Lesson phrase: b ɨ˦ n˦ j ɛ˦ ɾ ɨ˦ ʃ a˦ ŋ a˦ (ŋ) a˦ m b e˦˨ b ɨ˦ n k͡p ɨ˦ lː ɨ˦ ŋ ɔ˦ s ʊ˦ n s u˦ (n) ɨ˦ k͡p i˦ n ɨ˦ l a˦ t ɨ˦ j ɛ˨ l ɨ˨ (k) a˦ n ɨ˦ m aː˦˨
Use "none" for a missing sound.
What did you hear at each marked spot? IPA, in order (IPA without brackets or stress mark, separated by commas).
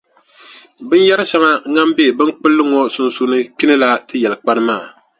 ŋ, n, k͡p